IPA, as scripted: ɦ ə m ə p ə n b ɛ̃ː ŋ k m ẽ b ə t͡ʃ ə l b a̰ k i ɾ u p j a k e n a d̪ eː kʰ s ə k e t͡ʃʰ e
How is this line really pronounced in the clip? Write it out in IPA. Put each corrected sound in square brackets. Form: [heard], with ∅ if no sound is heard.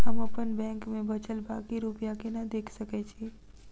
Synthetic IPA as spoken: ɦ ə m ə p ə n b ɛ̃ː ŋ k m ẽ b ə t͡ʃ ə l b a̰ k i ɾ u p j a k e n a d̪ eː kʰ s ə k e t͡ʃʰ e